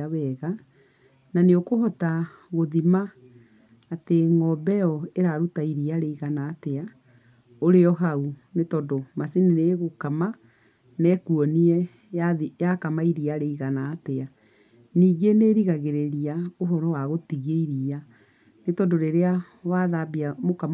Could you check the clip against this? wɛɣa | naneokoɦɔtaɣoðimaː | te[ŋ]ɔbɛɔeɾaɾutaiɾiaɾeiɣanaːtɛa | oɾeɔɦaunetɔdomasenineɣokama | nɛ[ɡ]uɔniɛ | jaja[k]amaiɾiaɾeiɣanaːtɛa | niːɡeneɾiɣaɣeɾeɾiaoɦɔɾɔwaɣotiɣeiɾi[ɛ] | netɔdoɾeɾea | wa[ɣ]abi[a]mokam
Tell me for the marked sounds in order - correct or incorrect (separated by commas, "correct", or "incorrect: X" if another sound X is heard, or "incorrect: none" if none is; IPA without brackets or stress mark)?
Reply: correct, incorrect: k, correct, incorrect: a, incorrect: ð, correct